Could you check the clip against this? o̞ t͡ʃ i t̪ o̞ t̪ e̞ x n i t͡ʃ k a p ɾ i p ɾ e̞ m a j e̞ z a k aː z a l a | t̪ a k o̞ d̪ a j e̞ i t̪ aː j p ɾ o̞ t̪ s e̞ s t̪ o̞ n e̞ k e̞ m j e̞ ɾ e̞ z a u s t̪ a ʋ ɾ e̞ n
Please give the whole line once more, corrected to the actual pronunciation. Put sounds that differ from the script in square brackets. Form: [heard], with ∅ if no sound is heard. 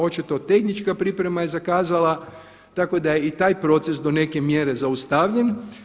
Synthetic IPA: o̞ t͡ʃ i t̪ o̞ t̪ e̞ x n i t͡ʃ k a p ɾ i p ɾ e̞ m a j e̞ z a k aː z a l a | t̪ a k o̞ d̪ a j e̞ i t̪ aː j p ɾ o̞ t̪ s e̞ s [d̪] o̞ n e̞ k e̞ m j e̞ ɾ e̞ z a u s t̪ a ʋ [ʎ] e̞ n